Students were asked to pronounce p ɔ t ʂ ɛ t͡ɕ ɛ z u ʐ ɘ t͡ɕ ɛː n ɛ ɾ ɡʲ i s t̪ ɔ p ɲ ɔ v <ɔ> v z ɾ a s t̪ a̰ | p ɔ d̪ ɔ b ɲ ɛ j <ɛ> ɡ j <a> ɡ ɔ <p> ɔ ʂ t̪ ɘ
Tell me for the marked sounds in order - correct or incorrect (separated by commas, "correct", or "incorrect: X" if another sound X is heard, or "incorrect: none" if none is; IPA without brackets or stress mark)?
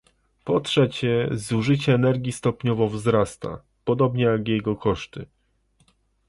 correct, incorrect: a, incorrect: ɛ, incorrect: k